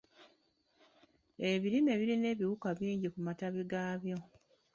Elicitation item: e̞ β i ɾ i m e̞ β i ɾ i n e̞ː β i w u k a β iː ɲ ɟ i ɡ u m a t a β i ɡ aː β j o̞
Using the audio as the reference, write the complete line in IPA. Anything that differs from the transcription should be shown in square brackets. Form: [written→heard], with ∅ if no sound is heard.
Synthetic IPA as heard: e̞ β i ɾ i m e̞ β i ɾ i n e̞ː β i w u k a β iː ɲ ɟ i [ɡ→k] u m a t a β i ɡ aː β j o̞